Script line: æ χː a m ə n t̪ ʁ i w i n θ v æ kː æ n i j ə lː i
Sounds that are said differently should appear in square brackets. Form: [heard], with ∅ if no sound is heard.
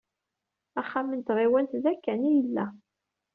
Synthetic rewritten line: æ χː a m ə n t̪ ʁ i w [æ] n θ [ð] æ kː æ n i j ə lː [æ]